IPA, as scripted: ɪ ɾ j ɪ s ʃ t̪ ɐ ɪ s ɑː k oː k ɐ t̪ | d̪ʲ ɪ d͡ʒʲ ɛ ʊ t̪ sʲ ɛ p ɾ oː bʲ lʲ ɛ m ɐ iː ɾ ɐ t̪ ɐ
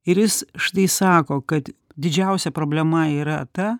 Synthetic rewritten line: ɪ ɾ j ɪ s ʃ t̪ ɐ ɪ s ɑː k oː k ɐ t̪ | d̪ʲ ɪ d͡ʒʲ ɛ ʊ sʲ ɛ p ɾ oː bʲ lʲ ɛ m ɐ iː ɾ ɐ t̪ ɐ